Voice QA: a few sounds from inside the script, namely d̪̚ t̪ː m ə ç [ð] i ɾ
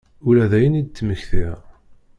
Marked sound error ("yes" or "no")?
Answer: yes